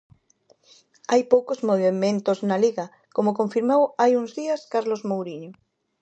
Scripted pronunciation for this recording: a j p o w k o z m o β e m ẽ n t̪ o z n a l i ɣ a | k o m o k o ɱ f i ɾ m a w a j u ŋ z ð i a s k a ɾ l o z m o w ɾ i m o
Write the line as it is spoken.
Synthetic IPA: a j p o w k o z m o β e m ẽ n t̪ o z n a l i ɣ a | k o m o k o ɱ f i ɾ m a w a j u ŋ z ð i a s k a ɾ l o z m o w ɾ i ɲ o

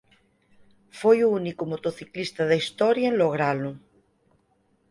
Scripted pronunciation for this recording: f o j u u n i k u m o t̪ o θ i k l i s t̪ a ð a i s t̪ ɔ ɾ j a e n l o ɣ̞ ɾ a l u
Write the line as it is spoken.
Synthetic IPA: f o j u u n i k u m o t̪ o θ i k l i s t̪ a ð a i s t̪ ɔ ɾ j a e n l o ɣ̞ ɾ a l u

